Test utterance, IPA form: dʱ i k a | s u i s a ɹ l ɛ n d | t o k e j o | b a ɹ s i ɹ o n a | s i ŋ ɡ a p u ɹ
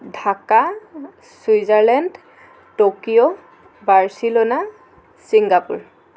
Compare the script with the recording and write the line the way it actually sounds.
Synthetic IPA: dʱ a k a | s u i z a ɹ l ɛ n d | t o k i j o | b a ɹ s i l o n a | s i ŋ ɡ a p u ɹ

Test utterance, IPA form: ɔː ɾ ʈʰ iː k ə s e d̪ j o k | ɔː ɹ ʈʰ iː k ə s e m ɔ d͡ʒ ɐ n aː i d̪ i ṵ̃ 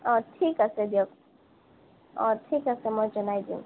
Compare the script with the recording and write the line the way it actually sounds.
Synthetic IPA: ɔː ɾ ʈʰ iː k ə s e d̪ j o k | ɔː ɾ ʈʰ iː k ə s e m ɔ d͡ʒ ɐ n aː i d̪ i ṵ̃

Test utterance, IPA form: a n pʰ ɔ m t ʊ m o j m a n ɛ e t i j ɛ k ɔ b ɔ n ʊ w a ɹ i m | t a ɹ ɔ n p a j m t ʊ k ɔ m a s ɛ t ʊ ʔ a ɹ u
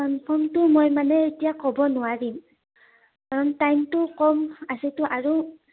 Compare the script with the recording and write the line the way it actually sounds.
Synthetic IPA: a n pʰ ɔ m t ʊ m o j m a n ɛ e t i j a k ɔ b ɔ n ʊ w a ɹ i m | k a ɹ ɔ n t a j m t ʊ k ɔ m a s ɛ t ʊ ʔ a ɹ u

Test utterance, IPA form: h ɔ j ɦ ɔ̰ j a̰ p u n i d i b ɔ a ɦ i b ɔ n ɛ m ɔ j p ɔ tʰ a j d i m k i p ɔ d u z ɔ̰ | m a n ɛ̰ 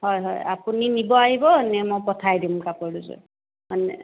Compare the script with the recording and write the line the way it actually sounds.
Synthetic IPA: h ɔ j ɦ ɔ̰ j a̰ p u n i n i b ɔ a ɦ i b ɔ n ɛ m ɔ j p ɔ tʰ a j d i m k a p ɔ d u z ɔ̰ | m a n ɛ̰

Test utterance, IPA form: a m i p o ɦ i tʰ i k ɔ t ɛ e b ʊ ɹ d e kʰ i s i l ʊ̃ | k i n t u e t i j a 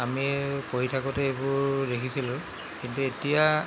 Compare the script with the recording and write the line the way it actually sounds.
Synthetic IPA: a m i p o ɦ i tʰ a k ɔ t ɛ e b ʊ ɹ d e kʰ i s i l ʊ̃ | k i n t u e t i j a

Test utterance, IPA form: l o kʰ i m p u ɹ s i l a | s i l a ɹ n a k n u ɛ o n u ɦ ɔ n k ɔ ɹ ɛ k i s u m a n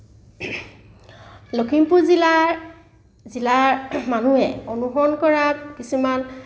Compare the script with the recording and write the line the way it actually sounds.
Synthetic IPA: l o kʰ i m p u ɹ z i l a | z i l a ɹ m a n u ɛ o n u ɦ ɔ n k ɔ ɹ a k i s u m a n

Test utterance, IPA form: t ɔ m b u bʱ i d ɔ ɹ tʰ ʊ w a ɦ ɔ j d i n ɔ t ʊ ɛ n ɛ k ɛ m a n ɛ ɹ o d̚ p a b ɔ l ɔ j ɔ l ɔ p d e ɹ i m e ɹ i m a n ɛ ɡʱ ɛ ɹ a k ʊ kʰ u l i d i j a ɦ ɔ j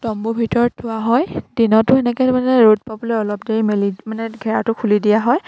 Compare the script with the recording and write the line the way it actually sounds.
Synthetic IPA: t ɔ m b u bʱ i t ɔ ɹ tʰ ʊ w a ɦ ɔ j d i n ɔ t ʊ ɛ n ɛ k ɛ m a n ɛ ɹ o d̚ p a b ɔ l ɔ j ɔ l ɔ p d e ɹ i m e l i m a n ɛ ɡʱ ɛ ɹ a t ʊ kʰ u l i d i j a ɦ ɔ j

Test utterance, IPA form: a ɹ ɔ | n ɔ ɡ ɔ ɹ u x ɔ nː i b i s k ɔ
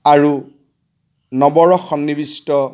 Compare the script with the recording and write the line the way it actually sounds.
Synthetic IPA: a ɹ u | n ɔ b ɔ ɹ ɔ x ɔ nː i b i s t ɔ

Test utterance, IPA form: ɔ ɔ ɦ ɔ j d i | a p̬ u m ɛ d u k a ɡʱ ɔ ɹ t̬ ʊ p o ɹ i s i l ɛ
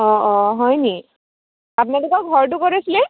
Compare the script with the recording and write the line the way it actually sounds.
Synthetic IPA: ɔ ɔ ɦ ɔ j n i | a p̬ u n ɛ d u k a ɡʱ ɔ ɹ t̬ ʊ k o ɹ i s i l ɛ

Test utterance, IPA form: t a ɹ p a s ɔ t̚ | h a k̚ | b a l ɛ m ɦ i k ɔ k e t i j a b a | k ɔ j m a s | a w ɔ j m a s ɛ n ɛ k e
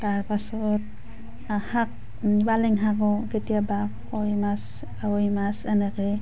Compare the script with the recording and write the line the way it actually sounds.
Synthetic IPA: t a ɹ p a s ɔ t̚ | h a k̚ | b a l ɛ ŋ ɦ a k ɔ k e t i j a b a | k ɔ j m a s | a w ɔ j m a s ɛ n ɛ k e

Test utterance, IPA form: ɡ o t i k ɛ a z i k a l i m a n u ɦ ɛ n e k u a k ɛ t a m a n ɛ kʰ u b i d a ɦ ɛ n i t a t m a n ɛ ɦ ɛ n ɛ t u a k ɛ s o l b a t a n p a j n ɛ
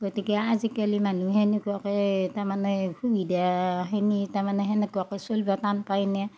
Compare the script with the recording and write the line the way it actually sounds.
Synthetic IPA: ɡ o t i k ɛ a z i k a l i m a n u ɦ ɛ n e k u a k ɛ t a m a n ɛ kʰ u b i d a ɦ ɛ n i t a m a n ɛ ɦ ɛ n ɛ k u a k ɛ s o l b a t a n p a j n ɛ

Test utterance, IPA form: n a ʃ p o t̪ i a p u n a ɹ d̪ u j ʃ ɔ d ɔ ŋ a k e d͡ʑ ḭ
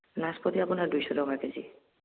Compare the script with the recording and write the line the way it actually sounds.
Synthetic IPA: n a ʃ p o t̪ i a p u n a ɾ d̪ u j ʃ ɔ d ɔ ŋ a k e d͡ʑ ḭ

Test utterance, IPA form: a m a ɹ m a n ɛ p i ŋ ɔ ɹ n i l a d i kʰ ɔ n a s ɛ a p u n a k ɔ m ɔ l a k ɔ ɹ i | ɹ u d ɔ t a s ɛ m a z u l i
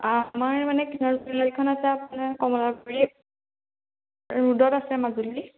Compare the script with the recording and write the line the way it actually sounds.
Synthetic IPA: a m a ɹ m a n ɛ k i n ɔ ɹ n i l a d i kʰ ɔ n a s ɛ a p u n a k ɔ m ɔ l a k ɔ ɹ i | ɹ u d ɔ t a s ɛ m a z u l i

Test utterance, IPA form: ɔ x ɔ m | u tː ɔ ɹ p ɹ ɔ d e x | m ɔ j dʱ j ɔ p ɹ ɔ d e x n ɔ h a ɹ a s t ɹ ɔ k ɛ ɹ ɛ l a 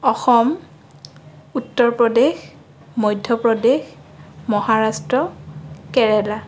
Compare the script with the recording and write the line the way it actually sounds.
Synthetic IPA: ɔ x ɔ m | u tː ɔ ɹ p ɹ ɔ d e x | m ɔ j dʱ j ɔ p ɹ ɔ d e x m ɔ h a ɹ a s t ɹ ɔ k ɛ ɹ ɛ l a

